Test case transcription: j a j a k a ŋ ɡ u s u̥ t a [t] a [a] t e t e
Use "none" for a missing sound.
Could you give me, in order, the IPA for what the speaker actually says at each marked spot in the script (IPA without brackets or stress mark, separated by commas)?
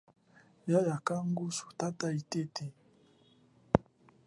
t, i